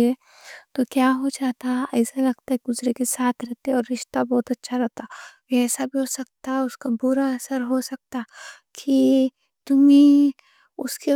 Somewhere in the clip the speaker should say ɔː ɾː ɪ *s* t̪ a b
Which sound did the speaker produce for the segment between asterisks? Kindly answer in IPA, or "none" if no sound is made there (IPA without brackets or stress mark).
ʃ